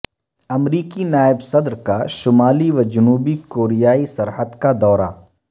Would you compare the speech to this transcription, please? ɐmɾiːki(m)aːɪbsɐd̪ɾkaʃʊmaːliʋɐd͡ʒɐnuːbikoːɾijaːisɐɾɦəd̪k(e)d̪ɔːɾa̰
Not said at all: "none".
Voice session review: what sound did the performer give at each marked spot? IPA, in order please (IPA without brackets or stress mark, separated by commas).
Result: n, a